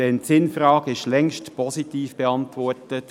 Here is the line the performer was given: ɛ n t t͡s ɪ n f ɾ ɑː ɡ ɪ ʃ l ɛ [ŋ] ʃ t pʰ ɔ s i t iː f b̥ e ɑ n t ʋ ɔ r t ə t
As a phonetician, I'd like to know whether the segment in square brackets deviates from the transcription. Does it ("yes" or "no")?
no